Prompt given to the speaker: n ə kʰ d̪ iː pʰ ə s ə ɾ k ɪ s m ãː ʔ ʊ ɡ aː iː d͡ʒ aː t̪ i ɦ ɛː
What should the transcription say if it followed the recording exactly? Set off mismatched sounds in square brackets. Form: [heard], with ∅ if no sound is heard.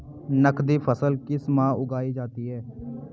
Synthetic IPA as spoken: n ə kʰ d̪ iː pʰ ə s ə [l] k ɪ s m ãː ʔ ʊ ɡ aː iː d͡ʒ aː t̪ [iː] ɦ ɛː